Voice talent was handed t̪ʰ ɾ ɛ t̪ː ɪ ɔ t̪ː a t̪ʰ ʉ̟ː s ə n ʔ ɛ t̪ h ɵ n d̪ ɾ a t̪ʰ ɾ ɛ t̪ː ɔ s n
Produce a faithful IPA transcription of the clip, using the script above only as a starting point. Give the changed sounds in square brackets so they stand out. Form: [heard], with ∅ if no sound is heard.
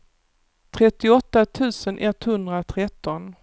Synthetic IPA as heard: t̪ʰ ɾ ɛ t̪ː ɪ ɔ t̪ː a t̪ʰ ʉ̟ː s ə n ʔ ɛ t̪ h ɵ n d̪ ɾ a t̪ʰ ɾ ɛ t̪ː ɔ [∅] n

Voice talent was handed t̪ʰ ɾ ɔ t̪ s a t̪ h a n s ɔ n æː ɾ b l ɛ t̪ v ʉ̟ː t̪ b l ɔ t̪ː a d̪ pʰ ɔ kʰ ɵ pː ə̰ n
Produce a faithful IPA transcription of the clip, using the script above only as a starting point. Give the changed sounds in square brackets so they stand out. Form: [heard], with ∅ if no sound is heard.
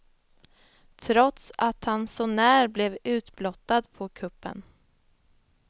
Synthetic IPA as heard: t̪ʰ ɾ ɔ t̪ s a t̪ h a n s ɔ n æː ɾ b l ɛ [∅] v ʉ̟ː t̪ b l ɔ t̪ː a d̪ pʰ ɔ kʰ ɵ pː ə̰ n

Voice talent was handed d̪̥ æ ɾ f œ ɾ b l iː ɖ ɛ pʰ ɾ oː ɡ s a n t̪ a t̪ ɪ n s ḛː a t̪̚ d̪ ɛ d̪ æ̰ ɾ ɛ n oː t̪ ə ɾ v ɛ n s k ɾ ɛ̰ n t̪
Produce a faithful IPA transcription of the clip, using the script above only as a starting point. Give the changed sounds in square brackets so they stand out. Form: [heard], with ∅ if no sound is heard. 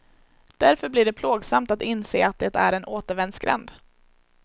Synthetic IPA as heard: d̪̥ æ ɾ f œ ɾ b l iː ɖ ɛ pʰ [l] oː ɡ s a [m] t̪ a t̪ ɪ n s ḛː a t̪̚ d̪ ɛ [t̪] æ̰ ɾ ɛ n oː t̪ ə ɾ v ɛ n s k ɾ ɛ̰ n [d̪]

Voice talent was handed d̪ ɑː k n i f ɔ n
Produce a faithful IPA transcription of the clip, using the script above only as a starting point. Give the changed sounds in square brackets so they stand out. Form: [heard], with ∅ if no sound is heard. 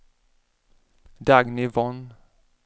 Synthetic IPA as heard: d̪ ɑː [ɡ] n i [v] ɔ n

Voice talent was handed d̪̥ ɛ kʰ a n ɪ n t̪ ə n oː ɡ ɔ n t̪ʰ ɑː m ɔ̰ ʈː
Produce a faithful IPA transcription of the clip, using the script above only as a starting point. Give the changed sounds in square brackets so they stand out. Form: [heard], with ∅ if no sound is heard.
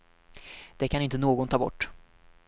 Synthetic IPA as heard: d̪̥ ɛ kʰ a n ɪ n t̪ ə n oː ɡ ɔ n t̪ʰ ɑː [b] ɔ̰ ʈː

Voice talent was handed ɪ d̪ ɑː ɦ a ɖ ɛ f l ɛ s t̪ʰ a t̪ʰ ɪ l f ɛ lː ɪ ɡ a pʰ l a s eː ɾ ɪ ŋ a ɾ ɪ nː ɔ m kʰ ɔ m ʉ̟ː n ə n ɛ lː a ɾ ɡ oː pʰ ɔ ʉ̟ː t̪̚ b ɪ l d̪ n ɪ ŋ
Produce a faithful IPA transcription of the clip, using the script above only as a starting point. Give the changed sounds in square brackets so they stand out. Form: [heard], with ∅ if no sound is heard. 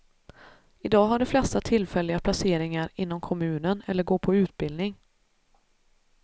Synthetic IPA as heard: ɪ d̪ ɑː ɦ a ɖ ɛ f l ɛ s [t̪] a t̪ʰ ɪ l f ɛ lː ɪ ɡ a pʰ l a s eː ɾ ɪ ŋ a ɾ ɪ nː ɔ m kʰ ɔ m ʉ̟ː n ə n ɛ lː [ə] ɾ ɡ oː pʰ ɔ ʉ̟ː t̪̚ b ɪ l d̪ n ɪ ŋ

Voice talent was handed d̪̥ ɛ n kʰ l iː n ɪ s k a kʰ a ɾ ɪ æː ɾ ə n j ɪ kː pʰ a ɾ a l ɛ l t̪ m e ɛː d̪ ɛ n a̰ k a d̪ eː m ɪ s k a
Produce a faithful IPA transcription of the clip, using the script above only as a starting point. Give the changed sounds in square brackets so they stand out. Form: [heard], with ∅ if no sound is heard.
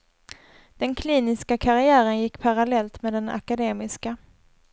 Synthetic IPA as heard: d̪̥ ɛ n kʰ l iː n ɪ s k a kʰ a ɾ ɪ æː ɾ ə n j ɪ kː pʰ a ɾ a l ɛ l t̪ m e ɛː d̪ ɛ n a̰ k a d̪ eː m ɪ s k a

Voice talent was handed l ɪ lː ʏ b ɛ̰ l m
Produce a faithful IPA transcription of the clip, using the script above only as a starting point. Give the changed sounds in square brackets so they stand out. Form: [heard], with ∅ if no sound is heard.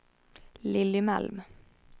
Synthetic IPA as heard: l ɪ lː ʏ [m] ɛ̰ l m

